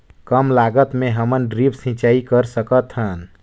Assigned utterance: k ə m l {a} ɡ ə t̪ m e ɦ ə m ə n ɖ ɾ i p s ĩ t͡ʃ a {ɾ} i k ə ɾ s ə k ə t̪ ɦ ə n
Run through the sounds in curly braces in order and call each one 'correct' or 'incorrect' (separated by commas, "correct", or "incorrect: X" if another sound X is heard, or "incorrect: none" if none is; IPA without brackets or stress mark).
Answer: correct, incorrect: none